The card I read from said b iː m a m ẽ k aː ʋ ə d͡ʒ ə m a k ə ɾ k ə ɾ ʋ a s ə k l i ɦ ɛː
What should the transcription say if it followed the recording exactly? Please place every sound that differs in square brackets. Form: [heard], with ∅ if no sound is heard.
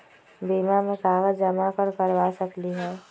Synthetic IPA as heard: b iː m a m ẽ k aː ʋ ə d͡ʒ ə m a k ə ɾ k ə ɾ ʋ a s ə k l i ɦ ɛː